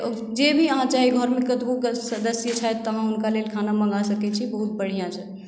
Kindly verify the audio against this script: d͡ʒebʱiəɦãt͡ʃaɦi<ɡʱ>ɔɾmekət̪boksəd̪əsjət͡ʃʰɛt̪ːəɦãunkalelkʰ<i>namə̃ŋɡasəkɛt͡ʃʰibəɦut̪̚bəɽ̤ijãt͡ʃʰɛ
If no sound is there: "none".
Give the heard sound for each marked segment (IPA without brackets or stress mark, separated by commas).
ɡʱ, a